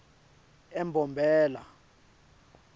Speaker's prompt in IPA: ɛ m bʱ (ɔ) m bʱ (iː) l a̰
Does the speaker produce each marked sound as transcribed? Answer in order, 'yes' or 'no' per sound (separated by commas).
yes, no